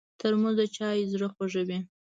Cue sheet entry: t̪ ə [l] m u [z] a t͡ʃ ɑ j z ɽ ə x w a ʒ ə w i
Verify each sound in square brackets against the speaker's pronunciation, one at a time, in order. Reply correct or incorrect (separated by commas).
incorrect, correct